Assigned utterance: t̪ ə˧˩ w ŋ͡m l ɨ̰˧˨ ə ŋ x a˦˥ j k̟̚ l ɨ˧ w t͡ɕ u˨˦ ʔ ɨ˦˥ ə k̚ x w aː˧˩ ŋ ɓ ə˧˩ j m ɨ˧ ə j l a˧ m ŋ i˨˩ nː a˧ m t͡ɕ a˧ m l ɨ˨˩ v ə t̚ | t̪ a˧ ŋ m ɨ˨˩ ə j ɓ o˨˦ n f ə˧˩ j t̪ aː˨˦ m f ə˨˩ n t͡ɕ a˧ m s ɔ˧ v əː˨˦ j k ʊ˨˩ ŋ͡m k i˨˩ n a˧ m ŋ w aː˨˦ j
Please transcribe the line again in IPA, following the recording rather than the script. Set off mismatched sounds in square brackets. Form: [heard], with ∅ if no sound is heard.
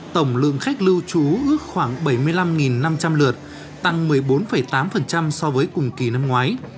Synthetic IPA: t̪ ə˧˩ w ŋ͡m l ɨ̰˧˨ ə ŋ x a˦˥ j k̟̚ l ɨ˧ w t͡ɕ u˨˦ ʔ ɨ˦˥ ə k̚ x w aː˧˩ ŋ ɓ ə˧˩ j m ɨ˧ ə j l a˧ m ŋ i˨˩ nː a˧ m t͡ɕ a˧ m l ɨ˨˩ [∅] ə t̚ | t̪ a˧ ŋ m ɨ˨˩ ə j ɓ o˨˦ n f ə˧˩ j t̪ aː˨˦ m f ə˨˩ n t͡ɕ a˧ m s ɔ˧ v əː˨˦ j k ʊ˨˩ ŋ͡m k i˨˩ n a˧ m ŋ w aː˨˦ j